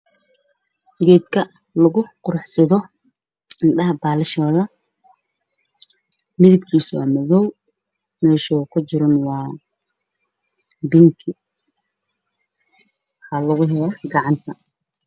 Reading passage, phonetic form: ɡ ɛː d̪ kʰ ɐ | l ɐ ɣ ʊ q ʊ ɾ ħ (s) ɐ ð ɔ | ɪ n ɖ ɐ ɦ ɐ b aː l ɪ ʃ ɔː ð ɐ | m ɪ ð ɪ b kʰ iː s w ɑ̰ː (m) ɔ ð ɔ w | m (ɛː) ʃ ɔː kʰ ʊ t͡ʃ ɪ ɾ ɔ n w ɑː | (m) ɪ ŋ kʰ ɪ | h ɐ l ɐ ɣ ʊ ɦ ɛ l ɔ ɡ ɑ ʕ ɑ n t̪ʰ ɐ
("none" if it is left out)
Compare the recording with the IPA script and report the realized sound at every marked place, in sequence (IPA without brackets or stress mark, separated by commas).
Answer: s, m, ɛː, b